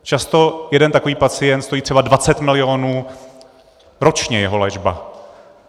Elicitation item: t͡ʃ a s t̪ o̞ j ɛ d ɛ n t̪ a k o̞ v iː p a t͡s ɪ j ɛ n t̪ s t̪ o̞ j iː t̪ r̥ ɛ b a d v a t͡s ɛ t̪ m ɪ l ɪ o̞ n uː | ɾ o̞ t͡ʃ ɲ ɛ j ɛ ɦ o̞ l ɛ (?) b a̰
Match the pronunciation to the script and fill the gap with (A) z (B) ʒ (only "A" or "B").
B